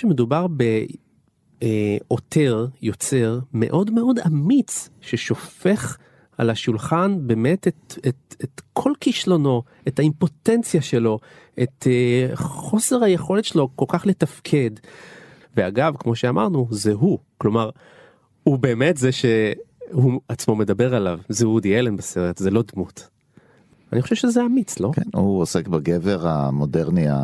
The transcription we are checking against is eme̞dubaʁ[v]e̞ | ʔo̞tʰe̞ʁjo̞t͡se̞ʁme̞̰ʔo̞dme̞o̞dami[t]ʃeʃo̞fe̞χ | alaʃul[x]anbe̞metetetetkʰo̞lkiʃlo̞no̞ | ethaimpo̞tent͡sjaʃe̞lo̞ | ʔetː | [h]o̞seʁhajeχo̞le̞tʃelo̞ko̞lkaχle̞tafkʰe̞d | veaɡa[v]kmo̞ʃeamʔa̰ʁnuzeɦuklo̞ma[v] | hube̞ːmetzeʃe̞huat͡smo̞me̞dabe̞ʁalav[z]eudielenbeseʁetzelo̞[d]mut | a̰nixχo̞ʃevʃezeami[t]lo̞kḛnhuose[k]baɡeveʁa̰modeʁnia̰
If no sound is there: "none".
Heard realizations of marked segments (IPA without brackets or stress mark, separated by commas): b, t͡s, χ, χ, v, ʁ, z, d, t͡s, k